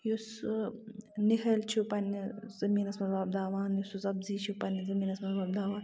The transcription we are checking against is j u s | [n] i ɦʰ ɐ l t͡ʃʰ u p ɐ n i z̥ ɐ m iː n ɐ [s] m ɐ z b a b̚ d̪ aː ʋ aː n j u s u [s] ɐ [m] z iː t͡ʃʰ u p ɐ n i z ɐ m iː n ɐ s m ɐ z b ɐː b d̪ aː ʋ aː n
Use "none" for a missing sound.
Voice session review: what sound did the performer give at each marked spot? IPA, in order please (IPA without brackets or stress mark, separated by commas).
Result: n, s, z, b